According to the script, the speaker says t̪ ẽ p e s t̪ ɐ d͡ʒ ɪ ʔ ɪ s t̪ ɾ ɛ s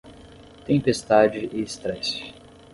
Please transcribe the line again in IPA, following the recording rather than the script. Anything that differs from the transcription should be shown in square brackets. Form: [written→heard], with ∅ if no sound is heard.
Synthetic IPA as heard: t̪ ẽ p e s t̪ [ɐ→a] d͡ʒ ɪ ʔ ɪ s t̪ ɾ ɛ s